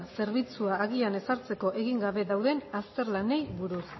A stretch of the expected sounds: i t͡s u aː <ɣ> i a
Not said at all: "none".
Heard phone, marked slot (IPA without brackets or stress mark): ɣ